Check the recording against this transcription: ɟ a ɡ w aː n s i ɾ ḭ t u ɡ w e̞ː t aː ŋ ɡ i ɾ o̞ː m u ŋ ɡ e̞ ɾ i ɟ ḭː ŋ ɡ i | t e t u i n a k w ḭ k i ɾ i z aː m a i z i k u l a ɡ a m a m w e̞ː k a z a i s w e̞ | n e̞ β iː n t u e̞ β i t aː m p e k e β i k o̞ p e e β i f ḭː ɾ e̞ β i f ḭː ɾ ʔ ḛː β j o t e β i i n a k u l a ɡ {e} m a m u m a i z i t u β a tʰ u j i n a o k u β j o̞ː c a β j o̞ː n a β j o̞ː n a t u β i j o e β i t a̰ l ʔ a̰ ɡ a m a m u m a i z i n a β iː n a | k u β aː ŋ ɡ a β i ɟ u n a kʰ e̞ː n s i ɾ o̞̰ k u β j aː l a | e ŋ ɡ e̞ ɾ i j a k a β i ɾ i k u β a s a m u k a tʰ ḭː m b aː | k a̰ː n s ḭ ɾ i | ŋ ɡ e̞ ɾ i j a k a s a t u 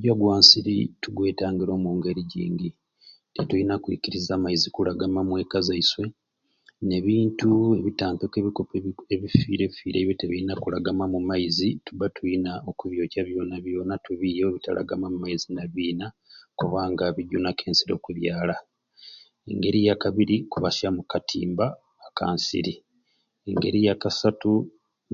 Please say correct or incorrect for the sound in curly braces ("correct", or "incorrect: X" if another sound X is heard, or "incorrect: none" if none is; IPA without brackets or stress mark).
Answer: incorrect: a